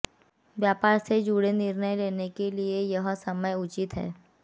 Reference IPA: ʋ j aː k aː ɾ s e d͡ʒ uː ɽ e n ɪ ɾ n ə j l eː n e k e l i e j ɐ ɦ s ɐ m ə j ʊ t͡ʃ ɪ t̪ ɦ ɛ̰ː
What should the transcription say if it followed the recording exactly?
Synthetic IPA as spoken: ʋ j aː p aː ɾ s e d͡ʒ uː ɽ e n ɪ ɾ n ə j l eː n e k e l i e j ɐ ɦ s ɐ m ə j ʊ t͡ʃ ɪ t̪ ɦ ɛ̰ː